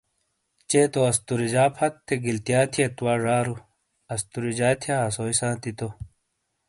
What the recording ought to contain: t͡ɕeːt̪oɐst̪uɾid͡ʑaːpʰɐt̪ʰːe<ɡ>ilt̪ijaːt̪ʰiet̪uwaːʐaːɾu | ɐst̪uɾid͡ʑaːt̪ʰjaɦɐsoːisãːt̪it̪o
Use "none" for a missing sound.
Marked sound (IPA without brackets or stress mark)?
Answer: ɡ